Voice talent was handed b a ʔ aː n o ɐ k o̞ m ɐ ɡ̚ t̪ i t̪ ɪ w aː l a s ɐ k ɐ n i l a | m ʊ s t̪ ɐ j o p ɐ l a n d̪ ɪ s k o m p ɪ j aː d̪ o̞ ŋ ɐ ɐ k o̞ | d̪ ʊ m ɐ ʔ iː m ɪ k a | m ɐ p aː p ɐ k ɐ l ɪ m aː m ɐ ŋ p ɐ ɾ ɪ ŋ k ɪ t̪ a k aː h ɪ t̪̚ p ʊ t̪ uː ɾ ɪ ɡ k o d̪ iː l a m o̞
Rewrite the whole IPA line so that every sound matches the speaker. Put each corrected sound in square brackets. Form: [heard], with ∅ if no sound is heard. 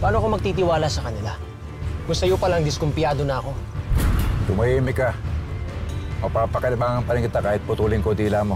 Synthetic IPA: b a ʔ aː n o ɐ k o̞ m ɐ ɡ̚ t̪ i t̪ ɪ w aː l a s ɐ k ɐ n [ɪ] l a | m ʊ s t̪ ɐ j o p ɐ l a [ŋ] d̪ ɪ s k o m p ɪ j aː d̪ o̞ [n] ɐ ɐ k o̞ | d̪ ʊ m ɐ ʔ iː m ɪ k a | m ɐ p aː p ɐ k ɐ l ɪ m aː [ŋ] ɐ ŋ p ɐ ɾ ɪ ŋ k ɪ t̪ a k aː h ɪ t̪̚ p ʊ t̪ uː [l] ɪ [ŋ] k o d̪ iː l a m o̞